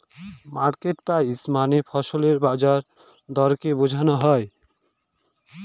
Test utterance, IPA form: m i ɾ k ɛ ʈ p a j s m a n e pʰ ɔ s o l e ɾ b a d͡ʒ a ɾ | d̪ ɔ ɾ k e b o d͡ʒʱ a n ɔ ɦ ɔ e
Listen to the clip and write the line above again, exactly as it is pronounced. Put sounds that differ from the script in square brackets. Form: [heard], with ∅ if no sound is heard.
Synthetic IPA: m [a] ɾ k [e] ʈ p a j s m a n e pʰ ɔ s o l e ɾ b a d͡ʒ a ɾ | d̪ ɔ ɾ k e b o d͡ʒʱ a n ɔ ɦ ɔ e

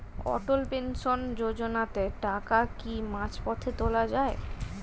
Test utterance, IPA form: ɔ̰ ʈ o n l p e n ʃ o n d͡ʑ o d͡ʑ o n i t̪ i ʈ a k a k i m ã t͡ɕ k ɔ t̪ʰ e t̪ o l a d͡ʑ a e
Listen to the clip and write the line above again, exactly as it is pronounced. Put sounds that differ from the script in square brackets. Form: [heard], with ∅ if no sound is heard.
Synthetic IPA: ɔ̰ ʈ o [∅] l p e n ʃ o n d͡ʑ o d͡ʑ o n [a] t̪ [e] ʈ a k a k i m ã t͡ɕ [p] ɔ t̪ʰ e t̪ o l a d͡ʑ a e

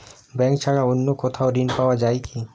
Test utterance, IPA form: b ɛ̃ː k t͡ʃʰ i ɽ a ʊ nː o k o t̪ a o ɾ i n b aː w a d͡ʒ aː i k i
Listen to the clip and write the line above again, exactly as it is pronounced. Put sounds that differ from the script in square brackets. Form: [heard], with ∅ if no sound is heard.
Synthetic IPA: b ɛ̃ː k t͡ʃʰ [a] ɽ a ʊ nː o k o [t̪ʰ] a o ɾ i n [p] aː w a d͡ʒ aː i k i

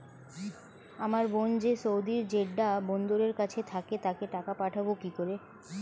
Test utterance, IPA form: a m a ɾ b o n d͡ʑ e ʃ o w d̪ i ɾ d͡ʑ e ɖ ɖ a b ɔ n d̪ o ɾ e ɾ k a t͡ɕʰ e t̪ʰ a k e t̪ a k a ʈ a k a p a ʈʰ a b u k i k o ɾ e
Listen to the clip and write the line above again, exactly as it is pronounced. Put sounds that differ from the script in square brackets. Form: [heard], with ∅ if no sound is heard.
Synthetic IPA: a m a ɾ b o n d͡ʑ e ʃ o w d̪ i ɾ d͡ʑ e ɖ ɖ a b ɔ n d̪ o ɾ e ɾ k a t͡ɕʰ e t̪ʰ a k e t̪ a k [e] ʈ a k a p a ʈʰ a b [o] k i k o ɾ e

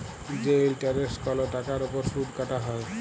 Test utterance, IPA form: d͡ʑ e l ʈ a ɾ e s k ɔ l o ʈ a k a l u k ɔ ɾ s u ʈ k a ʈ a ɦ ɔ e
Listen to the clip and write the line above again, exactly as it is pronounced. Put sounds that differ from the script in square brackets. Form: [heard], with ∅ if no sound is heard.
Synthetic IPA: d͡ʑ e l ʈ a ɾ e s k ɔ l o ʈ a k a [ɾ] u [p] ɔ ɾ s u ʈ k a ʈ a ɦ ɔ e

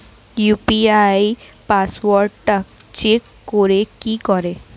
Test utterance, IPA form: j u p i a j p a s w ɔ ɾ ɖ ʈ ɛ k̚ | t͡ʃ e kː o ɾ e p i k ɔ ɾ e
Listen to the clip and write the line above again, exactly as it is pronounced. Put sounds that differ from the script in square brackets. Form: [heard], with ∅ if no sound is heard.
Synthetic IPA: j u p i a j p a s w ɔ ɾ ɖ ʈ [a] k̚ | t͡ʃ e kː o ɾ e [k] i k ɔ ɾ e

